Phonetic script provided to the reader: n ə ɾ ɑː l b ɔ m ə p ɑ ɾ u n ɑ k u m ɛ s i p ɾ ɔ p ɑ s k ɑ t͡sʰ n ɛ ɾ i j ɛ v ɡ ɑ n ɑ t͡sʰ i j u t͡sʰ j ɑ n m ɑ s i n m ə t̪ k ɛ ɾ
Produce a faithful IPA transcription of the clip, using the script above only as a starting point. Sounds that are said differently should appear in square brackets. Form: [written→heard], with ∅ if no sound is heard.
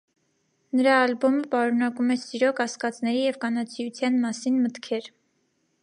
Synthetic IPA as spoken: n ə ɾ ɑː l b ɔ m ə p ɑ ɾ u n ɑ k u m ɛ s i [p→∅] ɾ ɔ [p→k] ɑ s k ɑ [t͡sʰ→t͡s] n ɛ ɾ i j ɛ v [ɡ→k] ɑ n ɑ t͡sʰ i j u t͡sʰ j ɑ n m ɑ s i n m ə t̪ [k→kʰ] ɛ ɾ